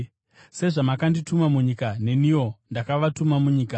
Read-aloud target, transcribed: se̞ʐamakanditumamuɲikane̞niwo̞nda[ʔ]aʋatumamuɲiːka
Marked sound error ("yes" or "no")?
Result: yes